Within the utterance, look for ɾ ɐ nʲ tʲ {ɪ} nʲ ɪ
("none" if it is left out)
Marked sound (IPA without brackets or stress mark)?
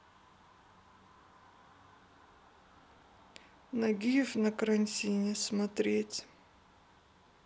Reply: i